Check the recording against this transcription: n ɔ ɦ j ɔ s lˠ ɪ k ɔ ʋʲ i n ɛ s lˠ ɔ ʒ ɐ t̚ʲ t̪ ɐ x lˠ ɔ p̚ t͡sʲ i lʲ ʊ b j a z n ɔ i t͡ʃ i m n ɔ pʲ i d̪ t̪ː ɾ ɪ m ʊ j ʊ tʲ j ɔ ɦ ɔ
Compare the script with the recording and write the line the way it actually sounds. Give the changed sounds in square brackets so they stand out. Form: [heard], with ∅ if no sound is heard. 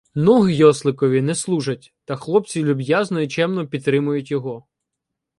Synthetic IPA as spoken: n ɔ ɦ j ɔ s lˠ ɪ k ɔ ʋʲ i n ɛ s lˠ [u] ʒ ɐ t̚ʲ t̪ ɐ x lˠ ɔ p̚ t͡sʲ i lʲ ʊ b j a z n ɔ i t͡ʃ [ɛ] m n ɔ pʲ i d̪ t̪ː ɾ ɪ m ʊ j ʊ tʲ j ɔ ɦ ɔ